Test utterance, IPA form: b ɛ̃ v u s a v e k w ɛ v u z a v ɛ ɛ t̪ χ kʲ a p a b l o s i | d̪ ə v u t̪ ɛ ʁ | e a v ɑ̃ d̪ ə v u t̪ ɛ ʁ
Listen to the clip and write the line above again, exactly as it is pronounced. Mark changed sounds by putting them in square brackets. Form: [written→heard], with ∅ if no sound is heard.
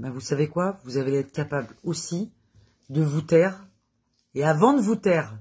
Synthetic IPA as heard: b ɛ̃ v u s a v e k w [ɛ→a] v u z a v [ɛ→e] ɛ t̪ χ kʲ a p a b l o s i | d̪ ə v u t̪ ɛ ʁ | e a v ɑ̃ d̪ ə v u t̪ ɛ ʁ